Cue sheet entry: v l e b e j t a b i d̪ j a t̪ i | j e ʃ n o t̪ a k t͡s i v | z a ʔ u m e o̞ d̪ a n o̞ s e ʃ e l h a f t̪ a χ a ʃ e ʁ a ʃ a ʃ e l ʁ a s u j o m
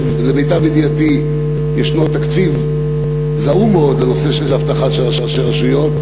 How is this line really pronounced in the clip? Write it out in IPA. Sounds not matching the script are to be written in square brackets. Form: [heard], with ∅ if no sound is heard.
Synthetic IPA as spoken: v l e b e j t a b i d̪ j a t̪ i | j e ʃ n o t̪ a k t͡s i v | z a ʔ u m e o̞ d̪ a n o̞ s e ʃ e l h a f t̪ a χ a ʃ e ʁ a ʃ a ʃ e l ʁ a [ʃ] u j o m